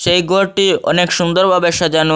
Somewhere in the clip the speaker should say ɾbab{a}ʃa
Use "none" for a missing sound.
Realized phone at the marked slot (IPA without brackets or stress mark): e